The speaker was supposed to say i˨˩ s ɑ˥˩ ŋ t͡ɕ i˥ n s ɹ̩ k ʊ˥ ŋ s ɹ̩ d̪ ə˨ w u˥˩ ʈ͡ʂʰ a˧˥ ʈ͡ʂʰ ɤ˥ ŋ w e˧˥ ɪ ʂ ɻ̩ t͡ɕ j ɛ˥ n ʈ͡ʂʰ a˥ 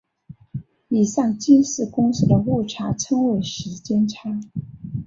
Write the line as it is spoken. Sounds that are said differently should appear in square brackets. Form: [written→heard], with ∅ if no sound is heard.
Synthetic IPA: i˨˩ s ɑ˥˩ ŋ t͡ɕ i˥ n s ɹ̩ k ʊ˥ ŋ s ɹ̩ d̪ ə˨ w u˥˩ ʈ͡ʂʰ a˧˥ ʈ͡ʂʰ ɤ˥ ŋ w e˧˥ ɪ ʂ ɻ̩ t͡ɕ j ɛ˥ n ʈ͡ʂʰ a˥